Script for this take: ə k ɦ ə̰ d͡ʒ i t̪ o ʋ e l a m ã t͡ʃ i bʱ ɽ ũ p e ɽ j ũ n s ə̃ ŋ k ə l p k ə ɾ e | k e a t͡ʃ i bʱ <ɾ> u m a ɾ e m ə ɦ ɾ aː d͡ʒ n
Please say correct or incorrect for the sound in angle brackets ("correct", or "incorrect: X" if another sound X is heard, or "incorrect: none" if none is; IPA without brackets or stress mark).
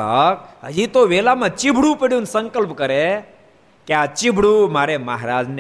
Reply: incorrect: ɽ